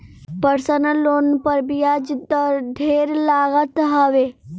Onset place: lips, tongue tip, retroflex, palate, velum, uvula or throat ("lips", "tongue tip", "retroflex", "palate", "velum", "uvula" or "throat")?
lips